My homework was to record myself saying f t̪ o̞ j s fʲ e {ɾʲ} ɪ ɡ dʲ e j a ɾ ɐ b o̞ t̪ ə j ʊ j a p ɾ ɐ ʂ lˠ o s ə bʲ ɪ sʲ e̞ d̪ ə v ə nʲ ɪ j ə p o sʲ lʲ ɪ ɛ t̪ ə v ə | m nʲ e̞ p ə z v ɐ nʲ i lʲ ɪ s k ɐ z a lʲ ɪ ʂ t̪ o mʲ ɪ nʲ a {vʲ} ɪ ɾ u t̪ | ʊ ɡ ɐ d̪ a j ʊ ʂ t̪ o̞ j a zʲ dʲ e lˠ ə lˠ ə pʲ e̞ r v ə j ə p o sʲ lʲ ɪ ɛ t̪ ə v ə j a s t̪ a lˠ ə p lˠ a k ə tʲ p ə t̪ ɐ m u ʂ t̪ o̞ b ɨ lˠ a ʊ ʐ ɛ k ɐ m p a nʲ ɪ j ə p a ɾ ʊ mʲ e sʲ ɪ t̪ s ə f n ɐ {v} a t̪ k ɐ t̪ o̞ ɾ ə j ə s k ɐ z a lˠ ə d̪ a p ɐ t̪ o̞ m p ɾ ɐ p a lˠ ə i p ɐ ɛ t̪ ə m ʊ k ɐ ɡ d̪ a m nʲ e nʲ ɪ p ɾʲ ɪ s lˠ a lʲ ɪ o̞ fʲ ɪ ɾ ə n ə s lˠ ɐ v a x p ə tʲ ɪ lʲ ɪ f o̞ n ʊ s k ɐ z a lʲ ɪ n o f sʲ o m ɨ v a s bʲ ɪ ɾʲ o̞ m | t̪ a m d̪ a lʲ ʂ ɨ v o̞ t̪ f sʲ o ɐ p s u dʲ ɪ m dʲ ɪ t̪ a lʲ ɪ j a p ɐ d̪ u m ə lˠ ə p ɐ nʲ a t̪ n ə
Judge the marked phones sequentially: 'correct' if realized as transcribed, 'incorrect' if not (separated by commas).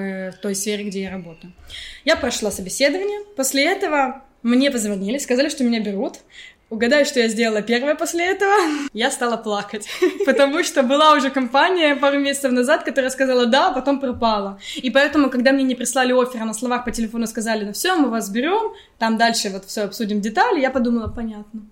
correct, incorrect, incorrect